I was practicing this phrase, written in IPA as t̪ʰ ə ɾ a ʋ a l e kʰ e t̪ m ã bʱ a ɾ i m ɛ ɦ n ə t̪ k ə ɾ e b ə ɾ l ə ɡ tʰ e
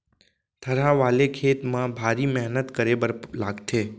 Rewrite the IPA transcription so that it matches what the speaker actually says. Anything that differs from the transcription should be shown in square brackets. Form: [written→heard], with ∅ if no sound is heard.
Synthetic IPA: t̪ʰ ə ɾ a ʋ a l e kʰ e t̪ m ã bʱ a ɾ i m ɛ ɦ n ə t̪ k ə ɾ e b ə ɾ l [ə→a] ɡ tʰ e

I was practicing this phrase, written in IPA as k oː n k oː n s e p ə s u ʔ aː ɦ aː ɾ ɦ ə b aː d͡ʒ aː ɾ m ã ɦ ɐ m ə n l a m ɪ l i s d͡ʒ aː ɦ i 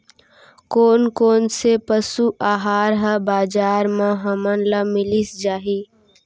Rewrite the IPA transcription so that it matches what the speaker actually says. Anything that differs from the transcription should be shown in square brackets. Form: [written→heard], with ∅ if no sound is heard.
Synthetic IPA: k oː n k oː n s e p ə s u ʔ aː ɦ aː ɾ ɦ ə b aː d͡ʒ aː ɾ m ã ɦ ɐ m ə n l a m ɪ l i s d͡ʒ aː ɦ i

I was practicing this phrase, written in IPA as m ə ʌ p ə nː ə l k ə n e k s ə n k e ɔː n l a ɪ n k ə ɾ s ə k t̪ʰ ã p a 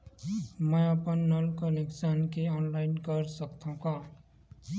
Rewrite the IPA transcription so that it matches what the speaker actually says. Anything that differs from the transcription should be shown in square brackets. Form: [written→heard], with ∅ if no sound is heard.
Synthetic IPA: m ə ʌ p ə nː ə l k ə n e k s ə n k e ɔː n l a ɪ n k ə ɾ s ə k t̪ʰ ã [p→k] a

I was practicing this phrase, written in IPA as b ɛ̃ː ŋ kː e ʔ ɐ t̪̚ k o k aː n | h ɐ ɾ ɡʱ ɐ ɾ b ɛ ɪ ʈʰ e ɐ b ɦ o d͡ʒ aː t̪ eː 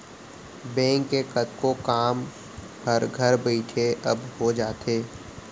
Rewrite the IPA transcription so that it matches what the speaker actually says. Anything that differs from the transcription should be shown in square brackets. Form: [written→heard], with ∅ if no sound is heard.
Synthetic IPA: b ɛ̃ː ŋ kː e [ʔ→k] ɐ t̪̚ k o k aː [n→m] | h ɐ ɾ ɡʱ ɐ ɾ b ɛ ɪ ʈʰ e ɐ b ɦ o d͡ʒ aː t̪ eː

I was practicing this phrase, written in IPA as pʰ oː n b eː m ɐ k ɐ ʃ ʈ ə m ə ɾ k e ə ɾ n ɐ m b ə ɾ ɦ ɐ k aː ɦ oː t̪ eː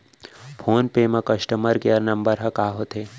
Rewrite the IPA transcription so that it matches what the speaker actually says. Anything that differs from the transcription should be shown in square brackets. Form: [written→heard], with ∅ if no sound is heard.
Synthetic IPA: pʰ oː n [b→p] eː m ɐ k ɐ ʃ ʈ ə m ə ɾ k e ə ɾ n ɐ m b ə ɾ ɦ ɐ k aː ɦ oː t̪ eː

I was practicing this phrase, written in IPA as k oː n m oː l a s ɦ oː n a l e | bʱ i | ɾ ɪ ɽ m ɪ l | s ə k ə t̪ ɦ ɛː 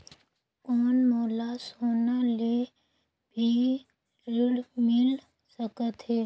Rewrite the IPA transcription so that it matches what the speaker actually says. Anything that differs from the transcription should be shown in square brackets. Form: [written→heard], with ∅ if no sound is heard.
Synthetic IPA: k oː n m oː l a s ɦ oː n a l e | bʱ i | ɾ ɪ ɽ m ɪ l | s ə k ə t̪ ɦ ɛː

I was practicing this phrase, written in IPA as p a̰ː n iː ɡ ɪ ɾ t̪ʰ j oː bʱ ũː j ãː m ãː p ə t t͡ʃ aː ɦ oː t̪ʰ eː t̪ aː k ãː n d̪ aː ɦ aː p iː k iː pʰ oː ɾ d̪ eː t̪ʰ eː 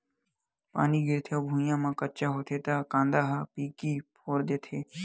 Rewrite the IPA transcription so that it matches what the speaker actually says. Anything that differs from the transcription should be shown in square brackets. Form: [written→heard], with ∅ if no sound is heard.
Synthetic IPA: p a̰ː n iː ɡ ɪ ɾ t̪ʰ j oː bʱ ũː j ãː m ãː [p→k] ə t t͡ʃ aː ɦ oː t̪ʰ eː t̪ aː k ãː n d̪ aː ɦ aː p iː k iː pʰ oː ɾ d̪ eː t̪ʰ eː

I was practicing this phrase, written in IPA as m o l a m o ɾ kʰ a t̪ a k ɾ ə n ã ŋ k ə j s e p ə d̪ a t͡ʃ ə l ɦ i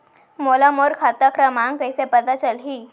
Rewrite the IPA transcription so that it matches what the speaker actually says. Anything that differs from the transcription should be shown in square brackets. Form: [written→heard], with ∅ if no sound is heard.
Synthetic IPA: m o l a m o ɾ kʰ a t̪ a k ɾ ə [n→m] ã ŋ k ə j s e p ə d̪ a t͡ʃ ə l ɦ i

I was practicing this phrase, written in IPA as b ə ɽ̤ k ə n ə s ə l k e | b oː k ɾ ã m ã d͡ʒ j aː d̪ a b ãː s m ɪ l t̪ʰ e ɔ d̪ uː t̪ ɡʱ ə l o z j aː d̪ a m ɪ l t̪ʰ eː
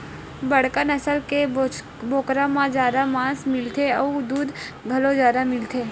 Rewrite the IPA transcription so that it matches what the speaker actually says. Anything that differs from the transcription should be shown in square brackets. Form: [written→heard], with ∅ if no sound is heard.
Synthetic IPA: b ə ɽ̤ k ə n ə s ə l k e | b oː k ɾ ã m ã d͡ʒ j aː d̪ a [b→m] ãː s m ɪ l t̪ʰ e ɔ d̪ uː [t̪→d̪] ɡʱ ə l o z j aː d̪ a m ɪ l t̪ʰ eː

